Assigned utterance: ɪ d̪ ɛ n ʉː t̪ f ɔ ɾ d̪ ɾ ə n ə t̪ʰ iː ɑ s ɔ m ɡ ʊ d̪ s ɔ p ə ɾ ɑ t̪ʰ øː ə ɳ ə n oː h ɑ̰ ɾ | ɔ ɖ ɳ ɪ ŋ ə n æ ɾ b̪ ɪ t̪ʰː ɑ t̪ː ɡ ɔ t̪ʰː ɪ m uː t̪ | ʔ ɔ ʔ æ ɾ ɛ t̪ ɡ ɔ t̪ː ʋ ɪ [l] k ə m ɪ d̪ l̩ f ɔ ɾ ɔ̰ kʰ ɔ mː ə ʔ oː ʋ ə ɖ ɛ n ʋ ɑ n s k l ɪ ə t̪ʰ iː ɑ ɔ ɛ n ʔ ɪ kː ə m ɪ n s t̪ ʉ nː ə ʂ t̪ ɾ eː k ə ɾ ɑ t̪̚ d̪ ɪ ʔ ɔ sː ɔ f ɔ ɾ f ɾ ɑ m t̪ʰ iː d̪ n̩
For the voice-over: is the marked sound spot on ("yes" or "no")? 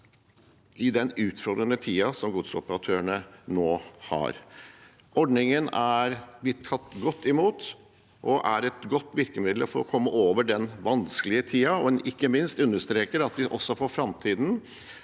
no